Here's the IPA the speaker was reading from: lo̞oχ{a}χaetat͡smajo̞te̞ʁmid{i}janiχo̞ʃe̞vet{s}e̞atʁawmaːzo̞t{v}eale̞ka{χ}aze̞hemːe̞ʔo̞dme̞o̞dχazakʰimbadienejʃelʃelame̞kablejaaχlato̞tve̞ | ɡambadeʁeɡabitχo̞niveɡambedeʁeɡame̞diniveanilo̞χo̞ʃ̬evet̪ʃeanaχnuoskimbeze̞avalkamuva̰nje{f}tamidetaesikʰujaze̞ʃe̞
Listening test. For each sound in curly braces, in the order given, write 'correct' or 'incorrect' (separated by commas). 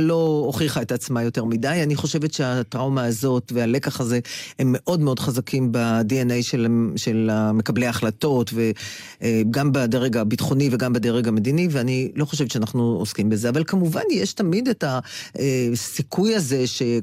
incorrect, incorrect, incorrect, correct, correct, incorrect